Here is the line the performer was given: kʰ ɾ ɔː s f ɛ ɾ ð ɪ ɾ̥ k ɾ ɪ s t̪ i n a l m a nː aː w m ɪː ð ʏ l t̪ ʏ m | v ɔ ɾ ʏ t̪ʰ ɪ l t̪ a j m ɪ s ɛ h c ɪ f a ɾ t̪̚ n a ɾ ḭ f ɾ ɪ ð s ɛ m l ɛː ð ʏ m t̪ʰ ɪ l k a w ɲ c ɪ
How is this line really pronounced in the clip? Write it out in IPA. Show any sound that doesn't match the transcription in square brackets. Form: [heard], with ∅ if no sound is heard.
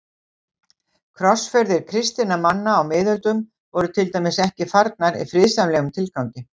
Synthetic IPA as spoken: kʰ ɾ [ɔ] s f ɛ ɾ ð ɪ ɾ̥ [kʰ] ɾ ɪ s t̪ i n a [∅] m a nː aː w m ɪː ð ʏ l t̪ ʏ m | v ɔ ɾ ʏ t̪ʰ ɪ l t̪ a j m ɪ s ɛ h c ɪ f a ɾ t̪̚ n a ɾ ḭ f ɾ ɪ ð s [a] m l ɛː [ɣ] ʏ m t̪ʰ ɪ l k a w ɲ c ɪ